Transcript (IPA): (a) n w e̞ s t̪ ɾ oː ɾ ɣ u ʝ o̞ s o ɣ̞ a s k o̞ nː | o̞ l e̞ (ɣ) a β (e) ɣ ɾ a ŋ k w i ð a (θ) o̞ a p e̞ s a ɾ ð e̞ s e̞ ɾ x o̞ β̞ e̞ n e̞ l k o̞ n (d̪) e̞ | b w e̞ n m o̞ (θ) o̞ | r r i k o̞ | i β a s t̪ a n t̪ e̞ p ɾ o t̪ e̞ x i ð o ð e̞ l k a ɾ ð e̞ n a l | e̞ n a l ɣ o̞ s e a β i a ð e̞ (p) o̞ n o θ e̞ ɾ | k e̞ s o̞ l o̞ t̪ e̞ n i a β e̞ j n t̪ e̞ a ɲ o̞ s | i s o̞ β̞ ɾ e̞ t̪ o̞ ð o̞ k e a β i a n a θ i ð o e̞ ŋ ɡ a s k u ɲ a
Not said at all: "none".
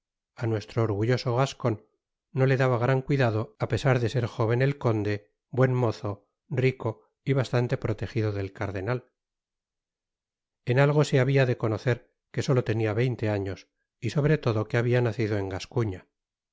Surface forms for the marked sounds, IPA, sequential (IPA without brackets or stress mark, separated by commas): a, ð, a, ð, d̪, θ, k